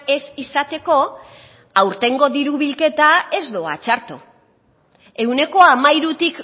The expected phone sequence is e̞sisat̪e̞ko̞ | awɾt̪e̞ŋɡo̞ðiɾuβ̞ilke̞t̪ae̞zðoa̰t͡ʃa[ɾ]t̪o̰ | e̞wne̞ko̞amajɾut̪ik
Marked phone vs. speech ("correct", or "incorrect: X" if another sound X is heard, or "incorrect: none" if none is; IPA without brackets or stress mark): correct